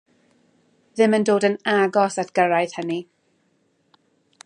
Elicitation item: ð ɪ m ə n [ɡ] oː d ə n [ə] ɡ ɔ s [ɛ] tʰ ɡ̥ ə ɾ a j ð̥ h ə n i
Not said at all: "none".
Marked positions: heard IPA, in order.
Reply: d, a, a

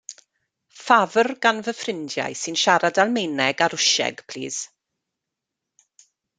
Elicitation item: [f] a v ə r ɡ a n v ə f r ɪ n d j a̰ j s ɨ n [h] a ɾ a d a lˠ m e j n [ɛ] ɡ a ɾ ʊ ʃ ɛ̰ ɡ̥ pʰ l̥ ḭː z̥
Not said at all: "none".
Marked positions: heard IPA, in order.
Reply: f, ʃ, ɛ

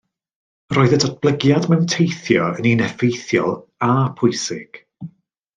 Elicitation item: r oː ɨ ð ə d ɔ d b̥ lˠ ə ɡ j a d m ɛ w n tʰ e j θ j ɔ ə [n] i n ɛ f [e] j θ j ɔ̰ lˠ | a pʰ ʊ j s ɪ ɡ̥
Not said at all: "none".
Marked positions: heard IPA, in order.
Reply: n, e

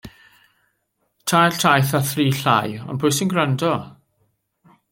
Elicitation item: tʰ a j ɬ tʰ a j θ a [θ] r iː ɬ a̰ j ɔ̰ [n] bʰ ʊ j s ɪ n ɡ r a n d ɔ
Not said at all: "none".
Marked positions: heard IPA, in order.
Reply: θ, n

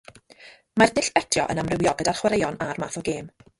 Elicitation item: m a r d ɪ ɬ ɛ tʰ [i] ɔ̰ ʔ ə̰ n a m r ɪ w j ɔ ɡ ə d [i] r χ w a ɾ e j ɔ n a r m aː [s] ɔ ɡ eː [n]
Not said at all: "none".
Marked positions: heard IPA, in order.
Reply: j, a, θ, m

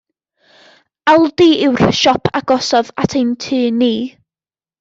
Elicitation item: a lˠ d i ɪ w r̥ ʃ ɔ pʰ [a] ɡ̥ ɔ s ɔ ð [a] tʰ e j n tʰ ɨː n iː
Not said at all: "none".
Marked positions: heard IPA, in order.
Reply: a, a

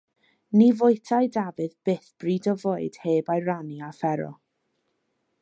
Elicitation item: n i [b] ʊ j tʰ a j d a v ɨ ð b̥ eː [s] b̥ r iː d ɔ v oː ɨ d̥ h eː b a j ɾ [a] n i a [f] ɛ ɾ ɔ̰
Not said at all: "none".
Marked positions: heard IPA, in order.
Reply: v, θ, a, f

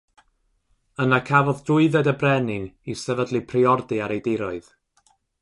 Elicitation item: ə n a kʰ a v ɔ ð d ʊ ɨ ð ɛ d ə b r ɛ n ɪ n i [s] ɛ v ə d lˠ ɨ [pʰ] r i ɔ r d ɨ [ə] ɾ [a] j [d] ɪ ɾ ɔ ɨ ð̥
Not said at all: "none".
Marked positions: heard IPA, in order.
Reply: s, pʰ, a, e, d

